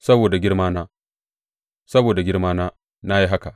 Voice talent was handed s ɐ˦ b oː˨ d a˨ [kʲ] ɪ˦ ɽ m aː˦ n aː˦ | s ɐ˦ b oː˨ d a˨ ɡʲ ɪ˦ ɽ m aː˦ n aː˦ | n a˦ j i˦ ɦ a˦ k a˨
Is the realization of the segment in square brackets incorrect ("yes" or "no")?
yes